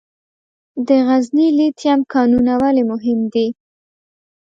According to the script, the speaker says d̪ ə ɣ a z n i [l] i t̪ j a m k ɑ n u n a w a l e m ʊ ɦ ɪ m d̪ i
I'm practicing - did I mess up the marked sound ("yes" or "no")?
no